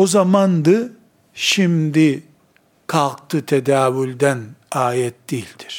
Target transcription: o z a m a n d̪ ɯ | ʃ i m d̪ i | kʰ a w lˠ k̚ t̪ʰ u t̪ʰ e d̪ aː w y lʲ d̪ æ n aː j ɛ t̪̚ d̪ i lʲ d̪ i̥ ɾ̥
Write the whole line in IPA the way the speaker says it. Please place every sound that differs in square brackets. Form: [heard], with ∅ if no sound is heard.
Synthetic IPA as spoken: o z a m a n d̪ ɯ | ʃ i m d̪ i | kʰ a [∅] lˠ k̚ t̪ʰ [ɯ] t̪ʰ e d̪ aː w y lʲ d̪ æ n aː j ɛ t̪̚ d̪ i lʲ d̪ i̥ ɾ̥